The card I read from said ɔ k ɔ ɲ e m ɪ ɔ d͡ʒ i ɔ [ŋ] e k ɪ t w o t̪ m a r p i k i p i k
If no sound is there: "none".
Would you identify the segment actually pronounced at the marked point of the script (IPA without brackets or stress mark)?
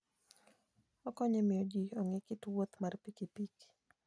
ŋ